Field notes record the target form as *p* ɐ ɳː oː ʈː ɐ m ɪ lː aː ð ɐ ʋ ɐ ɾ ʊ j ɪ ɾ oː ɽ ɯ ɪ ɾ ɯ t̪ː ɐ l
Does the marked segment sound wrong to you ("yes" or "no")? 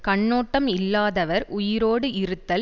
yes